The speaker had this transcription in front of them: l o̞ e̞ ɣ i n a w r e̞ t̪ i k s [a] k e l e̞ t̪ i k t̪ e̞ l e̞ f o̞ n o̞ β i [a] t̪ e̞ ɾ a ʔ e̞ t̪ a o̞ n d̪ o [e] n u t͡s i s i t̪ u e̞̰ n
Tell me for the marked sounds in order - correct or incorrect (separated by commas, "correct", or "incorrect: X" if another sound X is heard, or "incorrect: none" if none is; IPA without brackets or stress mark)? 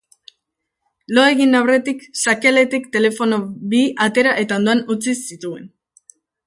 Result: correct, correct, incorrect: a